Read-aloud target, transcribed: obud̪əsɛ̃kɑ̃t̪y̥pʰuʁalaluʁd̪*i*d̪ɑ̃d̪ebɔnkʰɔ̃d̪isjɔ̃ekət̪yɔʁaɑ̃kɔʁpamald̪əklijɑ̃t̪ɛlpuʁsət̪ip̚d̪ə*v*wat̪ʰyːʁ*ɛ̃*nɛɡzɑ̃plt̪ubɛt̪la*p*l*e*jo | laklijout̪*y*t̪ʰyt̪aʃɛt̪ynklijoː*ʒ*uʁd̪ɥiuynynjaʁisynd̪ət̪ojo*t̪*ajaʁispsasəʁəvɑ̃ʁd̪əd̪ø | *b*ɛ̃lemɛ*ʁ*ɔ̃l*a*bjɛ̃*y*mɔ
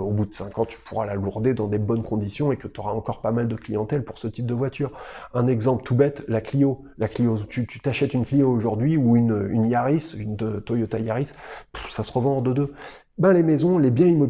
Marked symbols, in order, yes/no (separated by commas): no, yes, yes, no, no, yes, yes, yes, yes, no, no, no